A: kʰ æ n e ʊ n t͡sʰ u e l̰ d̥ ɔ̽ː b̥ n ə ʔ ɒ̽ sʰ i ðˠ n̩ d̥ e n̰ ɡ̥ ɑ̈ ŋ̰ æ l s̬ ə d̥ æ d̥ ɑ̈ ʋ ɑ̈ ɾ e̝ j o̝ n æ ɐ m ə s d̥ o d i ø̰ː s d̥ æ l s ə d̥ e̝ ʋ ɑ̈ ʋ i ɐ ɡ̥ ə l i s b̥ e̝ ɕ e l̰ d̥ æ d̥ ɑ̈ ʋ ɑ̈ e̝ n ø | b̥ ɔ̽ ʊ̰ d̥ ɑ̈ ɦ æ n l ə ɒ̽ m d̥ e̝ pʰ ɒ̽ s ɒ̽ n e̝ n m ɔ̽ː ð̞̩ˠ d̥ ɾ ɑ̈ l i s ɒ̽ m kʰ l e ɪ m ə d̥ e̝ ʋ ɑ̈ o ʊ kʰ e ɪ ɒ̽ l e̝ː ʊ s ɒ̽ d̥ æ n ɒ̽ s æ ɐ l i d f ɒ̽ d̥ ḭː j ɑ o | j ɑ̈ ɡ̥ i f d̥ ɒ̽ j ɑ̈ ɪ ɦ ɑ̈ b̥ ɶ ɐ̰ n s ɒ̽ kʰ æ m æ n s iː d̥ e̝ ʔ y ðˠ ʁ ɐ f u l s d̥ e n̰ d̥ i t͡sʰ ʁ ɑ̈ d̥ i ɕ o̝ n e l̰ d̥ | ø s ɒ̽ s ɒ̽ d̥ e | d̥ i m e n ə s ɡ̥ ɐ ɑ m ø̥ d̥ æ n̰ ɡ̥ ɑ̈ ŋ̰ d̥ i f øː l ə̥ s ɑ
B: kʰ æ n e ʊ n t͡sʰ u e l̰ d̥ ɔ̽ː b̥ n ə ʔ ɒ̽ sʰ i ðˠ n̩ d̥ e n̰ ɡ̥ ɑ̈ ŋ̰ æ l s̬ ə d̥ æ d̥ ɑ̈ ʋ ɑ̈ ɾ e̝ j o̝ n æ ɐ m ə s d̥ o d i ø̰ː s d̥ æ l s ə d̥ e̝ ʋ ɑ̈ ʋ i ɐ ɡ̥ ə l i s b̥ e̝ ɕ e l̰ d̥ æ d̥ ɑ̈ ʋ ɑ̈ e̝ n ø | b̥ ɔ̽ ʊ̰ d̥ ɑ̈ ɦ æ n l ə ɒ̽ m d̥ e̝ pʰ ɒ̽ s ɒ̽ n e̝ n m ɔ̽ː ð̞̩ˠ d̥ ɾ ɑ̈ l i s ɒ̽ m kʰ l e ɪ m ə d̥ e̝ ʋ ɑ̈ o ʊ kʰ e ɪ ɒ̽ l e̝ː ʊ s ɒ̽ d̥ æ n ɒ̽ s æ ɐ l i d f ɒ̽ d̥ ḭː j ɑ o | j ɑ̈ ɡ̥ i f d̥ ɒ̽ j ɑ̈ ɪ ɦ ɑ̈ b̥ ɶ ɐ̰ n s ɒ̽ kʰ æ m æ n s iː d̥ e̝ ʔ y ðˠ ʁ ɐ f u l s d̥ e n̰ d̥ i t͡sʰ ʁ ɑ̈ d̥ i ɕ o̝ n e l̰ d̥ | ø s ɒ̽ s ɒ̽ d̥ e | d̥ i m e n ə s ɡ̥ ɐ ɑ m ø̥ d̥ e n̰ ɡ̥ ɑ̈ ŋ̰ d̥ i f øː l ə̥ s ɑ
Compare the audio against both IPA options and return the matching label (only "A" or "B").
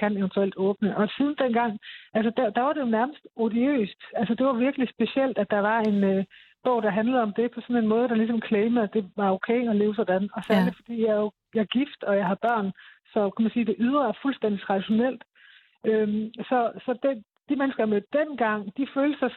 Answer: B